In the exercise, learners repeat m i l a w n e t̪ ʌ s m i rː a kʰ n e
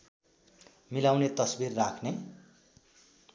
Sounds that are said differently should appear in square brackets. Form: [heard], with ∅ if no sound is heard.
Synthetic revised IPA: m i l a w n e t̪ ʌ s [b] i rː a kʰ n e